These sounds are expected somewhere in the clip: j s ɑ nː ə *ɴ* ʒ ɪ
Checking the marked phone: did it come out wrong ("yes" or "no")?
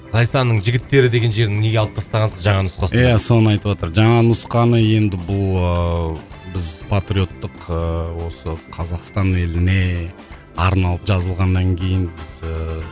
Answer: no